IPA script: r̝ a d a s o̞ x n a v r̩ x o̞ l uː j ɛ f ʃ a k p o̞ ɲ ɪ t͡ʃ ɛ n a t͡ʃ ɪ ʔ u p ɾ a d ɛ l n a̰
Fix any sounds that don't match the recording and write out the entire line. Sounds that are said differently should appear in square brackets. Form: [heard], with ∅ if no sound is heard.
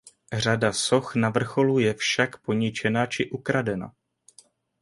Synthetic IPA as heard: r̝ a d a s o̞ x n a v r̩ x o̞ l [u] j ɛ f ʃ a k p o̞ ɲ ɪ t͡ʃ ɛ n a t͡ʃ ɪ ʔ u [k] ɾ a d ɛ [∅] n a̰